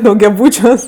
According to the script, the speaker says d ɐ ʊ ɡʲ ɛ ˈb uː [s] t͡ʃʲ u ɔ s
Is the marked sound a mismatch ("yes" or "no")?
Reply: yes